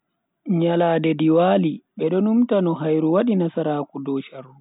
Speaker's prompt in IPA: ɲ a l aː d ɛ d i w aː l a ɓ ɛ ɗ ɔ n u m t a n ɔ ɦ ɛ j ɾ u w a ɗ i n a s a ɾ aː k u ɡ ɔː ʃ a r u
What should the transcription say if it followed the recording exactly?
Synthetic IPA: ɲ a l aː d ɛ d i w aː l i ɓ ɛ ɗ ɔ n u m t a n ɔ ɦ a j ɾ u w a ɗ i n a s a ɾ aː k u d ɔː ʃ a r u